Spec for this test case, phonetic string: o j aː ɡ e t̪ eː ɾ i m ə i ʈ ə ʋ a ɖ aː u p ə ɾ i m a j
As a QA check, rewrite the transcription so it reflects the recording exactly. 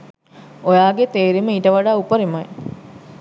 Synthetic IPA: o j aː ɡ e t̪ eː ɾ i m ə i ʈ ə ʋ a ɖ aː u p ə ɾ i m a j

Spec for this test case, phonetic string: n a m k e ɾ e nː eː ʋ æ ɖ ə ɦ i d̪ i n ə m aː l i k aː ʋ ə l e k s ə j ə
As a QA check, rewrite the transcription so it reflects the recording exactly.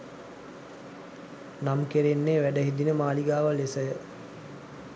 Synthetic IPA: n a m k e ɾ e nː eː ʋ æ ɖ ə ɦ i d̪ i n ə m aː l i ɡ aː ʋ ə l e s ə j ə

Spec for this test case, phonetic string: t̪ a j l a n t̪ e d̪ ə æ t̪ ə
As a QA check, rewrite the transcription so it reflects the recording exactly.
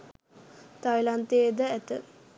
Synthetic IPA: t̪ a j l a n t̪ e d̪ ə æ t̪ ə

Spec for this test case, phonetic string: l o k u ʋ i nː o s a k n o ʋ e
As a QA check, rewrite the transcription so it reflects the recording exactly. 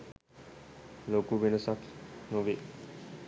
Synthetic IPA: l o k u ʋ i n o s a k n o ʋ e

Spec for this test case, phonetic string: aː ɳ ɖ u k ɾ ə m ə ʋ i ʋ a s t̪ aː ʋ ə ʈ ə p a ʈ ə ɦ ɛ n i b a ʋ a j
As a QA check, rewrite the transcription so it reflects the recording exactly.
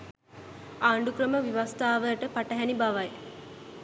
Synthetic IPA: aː ɳ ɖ u k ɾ ə m ə ʋ i ʋ a s t̪ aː ʋ ə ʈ ə p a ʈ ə ɦ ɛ n i b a ʋ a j

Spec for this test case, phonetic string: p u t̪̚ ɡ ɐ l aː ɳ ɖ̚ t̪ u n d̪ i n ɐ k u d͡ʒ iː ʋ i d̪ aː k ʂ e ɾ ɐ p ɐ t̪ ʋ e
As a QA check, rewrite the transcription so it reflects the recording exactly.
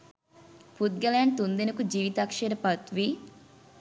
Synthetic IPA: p u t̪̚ ɡ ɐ l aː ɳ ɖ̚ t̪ u n d̪ i n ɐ k u d͡ʒ iː ʋ i t̪ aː k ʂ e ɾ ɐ p ɐ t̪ ʋ i

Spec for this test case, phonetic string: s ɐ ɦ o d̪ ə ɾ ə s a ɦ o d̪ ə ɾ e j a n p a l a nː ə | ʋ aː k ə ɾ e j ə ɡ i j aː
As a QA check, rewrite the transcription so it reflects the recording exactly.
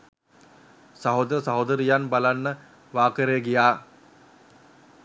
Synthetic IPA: s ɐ ɦ o d̪ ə ɾ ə s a ɦ o d̪ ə ɾ i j a n b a l a nː ə | ʋ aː k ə ɾ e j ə ɡ i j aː

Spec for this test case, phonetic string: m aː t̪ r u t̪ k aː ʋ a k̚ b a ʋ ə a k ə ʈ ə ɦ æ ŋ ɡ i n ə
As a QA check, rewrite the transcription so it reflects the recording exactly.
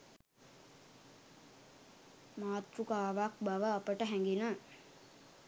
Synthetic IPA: m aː t̪ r u k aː ʋ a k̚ b a ʋ ə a p ə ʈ ə ɦ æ ŋ ɡ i n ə

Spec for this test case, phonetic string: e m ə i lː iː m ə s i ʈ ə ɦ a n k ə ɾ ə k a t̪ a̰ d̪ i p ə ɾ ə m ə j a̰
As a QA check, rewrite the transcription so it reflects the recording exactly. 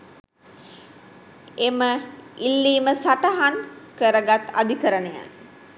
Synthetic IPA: e m ə i lː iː m ə s a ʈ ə ɦ a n k ə ɾ ə ɡ a t̪ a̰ d̪ i k ə ɾ ə n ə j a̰

